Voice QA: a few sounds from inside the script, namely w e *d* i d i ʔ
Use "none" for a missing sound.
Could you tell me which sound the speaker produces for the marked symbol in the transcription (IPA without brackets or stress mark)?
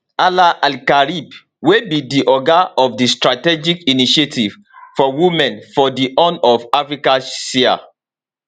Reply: b